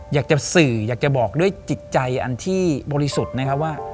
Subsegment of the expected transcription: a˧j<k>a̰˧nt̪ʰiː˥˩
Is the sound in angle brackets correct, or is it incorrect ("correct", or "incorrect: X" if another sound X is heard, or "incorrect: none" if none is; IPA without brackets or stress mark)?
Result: incorrect: ʔ